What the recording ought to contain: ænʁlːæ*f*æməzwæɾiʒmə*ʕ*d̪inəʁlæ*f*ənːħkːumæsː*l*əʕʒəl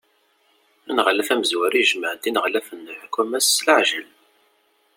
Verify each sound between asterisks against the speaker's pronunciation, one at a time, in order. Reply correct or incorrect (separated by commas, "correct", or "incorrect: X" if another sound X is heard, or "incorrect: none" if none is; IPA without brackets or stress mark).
correct, correct, correct, correct